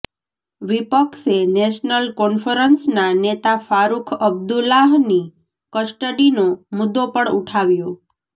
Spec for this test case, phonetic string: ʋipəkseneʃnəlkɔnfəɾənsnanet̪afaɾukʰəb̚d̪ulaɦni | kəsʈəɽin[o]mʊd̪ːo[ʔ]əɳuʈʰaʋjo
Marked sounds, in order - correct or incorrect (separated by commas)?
correct, incorrect